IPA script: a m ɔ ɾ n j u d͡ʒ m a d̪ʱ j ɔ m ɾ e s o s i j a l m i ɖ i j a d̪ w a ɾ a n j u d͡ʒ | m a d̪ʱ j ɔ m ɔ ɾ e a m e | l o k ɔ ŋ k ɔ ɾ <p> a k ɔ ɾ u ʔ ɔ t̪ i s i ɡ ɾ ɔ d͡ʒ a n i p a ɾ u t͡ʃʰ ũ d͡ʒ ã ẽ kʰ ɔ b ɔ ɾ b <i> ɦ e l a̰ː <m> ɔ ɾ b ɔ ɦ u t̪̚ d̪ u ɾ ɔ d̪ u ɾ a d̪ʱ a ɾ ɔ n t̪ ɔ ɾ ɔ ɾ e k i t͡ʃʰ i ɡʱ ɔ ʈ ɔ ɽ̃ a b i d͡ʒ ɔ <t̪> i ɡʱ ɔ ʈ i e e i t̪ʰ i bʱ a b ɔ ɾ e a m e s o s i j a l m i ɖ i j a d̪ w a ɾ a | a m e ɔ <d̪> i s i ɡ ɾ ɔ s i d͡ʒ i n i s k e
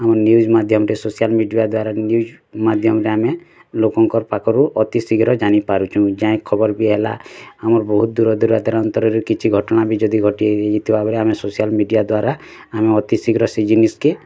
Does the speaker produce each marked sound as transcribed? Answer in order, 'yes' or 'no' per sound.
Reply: yes, yes, yes, no, no

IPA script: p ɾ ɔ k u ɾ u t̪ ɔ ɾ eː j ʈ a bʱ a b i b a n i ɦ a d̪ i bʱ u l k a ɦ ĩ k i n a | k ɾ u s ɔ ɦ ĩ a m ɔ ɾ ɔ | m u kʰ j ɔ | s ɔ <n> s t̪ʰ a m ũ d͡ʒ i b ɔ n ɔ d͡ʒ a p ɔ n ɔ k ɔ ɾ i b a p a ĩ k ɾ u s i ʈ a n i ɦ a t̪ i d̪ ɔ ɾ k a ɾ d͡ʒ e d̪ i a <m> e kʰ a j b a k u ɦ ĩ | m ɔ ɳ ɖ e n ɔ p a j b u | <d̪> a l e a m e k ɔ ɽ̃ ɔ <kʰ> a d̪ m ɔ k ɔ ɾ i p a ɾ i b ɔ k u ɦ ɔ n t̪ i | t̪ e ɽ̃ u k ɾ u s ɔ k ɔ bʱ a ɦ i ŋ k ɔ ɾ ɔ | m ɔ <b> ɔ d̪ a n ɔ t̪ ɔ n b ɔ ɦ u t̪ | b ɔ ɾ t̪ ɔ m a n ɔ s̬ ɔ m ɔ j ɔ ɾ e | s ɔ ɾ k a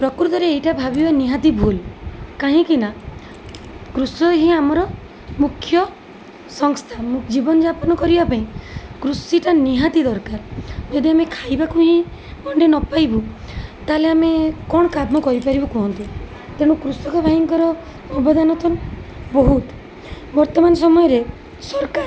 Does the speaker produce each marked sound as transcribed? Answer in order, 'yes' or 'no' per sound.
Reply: no, yes, no, no, yes

